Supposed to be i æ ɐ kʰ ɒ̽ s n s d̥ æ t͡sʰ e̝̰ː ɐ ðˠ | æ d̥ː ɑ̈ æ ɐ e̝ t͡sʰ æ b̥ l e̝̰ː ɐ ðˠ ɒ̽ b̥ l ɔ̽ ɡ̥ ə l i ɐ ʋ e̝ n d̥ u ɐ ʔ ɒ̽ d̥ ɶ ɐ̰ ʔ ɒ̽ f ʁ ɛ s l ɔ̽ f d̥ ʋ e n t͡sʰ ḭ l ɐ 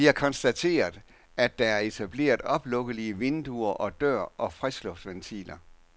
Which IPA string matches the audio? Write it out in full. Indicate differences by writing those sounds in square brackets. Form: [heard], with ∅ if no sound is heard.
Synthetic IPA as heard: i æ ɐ kʰ ɒ̽ [∅] n s d̥ æ t͡sʰ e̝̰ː ɐ ðˠ | æ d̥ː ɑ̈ æ ɐ e̝ t͡sʰ æ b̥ l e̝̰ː ɐ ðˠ ɒ̽ b̥ l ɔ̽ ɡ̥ ə l i [ə] ʋ e̝ n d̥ u ɐ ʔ ɒ̽ d̥ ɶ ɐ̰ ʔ ɒ̽ f ʁ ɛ s l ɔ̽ f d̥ ʋ e n t͡sʰ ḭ l ɐ